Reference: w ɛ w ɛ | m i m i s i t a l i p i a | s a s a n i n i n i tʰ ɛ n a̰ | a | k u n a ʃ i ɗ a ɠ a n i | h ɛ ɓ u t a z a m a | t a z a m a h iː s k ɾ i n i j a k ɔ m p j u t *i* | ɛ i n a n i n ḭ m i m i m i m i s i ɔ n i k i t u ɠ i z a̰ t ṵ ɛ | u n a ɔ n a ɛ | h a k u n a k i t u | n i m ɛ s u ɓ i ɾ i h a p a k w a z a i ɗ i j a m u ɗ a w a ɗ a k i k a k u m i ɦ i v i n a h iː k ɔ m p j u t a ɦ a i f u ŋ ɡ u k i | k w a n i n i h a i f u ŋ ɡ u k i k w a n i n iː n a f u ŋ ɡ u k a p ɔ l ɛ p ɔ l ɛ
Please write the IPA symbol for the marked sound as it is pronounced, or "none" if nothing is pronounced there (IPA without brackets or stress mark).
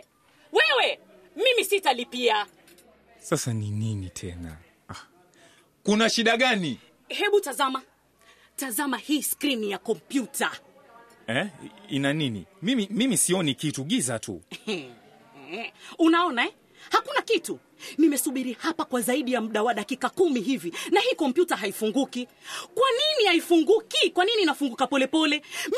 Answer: a